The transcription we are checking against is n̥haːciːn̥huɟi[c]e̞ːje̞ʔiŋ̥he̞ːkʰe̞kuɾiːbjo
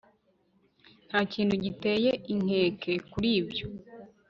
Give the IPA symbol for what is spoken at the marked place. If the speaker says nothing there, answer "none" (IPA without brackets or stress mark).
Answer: t